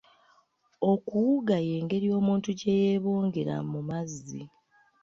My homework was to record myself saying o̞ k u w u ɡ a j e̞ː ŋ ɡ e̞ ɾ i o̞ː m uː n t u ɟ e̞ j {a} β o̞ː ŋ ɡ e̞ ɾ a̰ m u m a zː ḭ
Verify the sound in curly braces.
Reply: incorrect: e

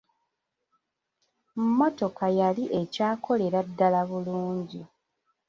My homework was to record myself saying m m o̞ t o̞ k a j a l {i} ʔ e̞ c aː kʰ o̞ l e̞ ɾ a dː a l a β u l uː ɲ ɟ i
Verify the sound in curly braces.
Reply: correct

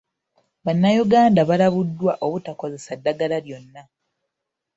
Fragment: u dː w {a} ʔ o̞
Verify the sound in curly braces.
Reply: correct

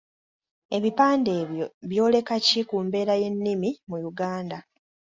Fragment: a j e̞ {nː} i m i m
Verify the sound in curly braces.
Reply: correct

